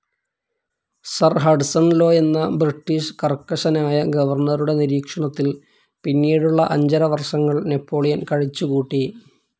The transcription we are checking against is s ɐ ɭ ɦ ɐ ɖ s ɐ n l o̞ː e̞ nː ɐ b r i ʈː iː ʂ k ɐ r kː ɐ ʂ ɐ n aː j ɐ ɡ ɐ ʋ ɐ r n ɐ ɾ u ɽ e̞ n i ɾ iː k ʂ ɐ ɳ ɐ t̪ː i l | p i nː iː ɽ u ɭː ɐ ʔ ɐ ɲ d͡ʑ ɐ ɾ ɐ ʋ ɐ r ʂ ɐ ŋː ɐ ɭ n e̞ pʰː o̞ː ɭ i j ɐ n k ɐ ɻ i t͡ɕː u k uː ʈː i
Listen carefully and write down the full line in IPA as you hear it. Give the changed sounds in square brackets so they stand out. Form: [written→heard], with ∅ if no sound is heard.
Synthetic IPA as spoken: s ɐ [ɭ→r] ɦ ɐ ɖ s ɐ n l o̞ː e̞ nː ɐ b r i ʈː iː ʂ k ɐ r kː ɐ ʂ ɐ n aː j ɐ ɡ ɐ ʋ ɐ r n ɐ ɾ u ɽ e̞ n i ɾ iː k ʂ ɐ ɳ ɐ t̪ː i l | p i nː iː ɽ u ɭː ɐ ʔ ɐ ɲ d͡ʑ ɐ ɾ ɐ ʋ ɐ r ʂ ɐ ŋː ɐ ɭ n e̞ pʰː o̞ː ɭ i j ɐ n k ɐ ɻ i t͡ɕː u k uː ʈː i